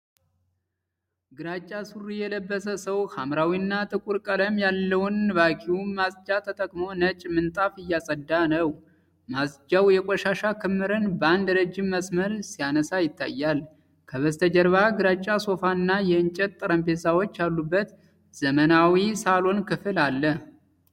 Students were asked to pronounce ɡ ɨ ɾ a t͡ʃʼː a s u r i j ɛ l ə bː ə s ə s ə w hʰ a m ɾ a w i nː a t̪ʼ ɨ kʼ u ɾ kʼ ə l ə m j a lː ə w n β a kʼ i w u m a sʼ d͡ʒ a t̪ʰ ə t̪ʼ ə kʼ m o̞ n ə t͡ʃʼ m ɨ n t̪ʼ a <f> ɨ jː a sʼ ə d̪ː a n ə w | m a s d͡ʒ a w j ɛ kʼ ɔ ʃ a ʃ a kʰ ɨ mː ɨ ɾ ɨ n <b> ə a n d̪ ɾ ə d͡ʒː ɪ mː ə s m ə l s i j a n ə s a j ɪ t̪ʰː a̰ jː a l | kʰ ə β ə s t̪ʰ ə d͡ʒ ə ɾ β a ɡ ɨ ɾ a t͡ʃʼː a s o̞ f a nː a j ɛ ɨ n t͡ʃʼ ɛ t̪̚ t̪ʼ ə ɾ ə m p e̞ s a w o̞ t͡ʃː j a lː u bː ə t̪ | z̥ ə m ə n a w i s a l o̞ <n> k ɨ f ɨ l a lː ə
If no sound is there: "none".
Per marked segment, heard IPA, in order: f, b, n

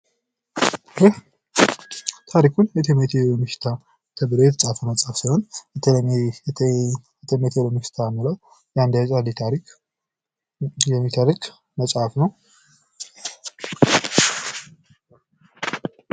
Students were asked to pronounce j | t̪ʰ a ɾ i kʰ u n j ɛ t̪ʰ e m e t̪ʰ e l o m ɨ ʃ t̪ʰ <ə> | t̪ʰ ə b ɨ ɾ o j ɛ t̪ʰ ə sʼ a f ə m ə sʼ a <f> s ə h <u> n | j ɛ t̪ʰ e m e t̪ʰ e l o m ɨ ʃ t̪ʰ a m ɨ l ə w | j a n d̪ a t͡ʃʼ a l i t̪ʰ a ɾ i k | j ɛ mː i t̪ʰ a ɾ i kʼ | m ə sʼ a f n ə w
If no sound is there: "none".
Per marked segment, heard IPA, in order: a, f, o

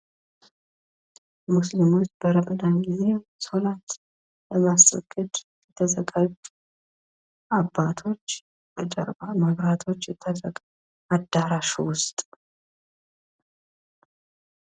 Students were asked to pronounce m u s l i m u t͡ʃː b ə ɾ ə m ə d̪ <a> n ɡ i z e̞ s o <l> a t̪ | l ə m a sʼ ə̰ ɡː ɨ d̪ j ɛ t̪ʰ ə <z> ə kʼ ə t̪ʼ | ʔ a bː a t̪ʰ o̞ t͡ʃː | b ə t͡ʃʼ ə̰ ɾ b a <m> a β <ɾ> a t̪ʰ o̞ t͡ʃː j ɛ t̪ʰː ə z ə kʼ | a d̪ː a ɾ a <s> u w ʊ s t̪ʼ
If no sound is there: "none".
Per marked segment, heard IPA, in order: a, l, z, m, ɾ, ʃ

